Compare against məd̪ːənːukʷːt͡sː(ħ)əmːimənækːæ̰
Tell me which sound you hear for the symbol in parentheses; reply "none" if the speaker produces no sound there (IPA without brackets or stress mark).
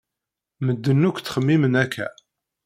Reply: χ